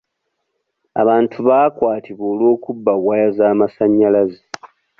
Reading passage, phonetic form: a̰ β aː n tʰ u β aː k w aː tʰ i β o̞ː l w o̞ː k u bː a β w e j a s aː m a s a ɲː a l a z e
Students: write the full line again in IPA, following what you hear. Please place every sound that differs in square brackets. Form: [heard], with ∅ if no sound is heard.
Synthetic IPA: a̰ β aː n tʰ u β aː k w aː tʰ i β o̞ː l w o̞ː k u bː a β w [a] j a [z] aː m a s a ɲː a l a z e